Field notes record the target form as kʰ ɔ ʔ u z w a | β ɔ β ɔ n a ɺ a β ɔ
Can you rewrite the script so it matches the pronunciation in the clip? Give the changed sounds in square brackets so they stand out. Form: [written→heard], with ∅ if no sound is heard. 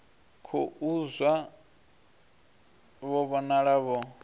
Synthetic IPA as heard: kʰ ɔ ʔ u z w a | β ɔ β ɔ n a ɺ a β ɔ